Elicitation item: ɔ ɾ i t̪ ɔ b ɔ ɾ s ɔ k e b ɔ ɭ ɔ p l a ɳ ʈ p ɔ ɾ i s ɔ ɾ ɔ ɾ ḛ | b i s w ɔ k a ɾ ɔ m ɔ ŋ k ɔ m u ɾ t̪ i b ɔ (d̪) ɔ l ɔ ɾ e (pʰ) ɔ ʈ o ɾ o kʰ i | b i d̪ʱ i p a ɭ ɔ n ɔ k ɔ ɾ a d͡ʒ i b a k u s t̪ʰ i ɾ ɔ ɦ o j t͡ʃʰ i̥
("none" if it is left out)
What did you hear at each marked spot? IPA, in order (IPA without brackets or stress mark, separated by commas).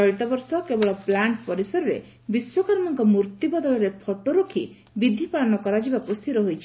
d̪, pʰ